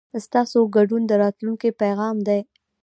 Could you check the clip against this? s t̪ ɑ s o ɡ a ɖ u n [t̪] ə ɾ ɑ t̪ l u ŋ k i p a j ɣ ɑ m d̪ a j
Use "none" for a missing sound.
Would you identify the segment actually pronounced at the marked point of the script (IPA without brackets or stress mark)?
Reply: d̪